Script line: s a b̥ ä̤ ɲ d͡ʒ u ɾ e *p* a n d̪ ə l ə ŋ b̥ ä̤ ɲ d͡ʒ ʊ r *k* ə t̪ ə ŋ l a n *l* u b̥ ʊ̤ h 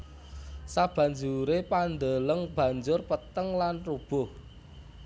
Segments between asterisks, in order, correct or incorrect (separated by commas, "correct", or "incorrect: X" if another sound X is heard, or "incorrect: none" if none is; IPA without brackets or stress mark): correct, incorrect: p, incorrect: r